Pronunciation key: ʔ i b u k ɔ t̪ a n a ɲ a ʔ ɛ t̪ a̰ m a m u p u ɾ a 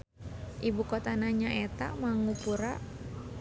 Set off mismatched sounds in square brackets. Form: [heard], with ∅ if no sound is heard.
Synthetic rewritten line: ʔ i b u k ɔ t̪ a n a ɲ a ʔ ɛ t̪ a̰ m a [ŋ] u p u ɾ a